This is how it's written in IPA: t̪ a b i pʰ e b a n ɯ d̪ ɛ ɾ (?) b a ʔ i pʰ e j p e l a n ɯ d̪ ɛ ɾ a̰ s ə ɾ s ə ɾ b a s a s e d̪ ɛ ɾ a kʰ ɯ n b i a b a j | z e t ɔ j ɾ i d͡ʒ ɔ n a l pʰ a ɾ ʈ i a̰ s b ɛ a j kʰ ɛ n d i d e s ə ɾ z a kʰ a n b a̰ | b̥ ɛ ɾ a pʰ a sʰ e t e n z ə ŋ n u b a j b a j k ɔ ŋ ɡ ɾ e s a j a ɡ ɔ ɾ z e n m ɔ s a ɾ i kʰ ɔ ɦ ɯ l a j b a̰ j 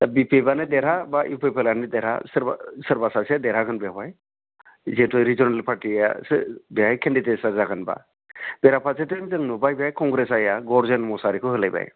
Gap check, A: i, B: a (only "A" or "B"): B